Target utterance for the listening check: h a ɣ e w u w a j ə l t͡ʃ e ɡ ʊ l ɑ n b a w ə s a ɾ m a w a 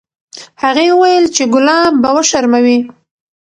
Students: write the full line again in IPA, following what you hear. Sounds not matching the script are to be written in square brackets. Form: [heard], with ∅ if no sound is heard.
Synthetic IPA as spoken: h a ɣ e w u w a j ə l t͡ʃ e ɡ ʊ l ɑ [m] b a w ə [ʃ] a ɾ m a w [i]